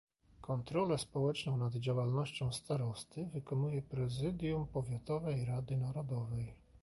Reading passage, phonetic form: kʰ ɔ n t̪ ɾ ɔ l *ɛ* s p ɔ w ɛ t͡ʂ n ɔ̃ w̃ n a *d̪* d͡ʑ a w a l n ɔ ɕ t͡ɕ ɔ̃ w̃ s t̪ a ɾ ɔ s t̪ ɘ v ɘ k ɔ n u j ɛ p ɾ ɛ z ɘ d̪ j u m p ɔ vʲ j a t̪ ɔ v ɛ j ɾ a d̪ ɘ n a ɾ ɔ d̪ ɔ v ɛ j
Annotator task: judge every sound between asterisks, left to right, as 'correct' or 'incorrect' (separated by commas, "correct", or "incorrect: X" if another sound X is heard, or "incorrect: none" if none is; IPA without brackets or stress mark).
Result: correct, correct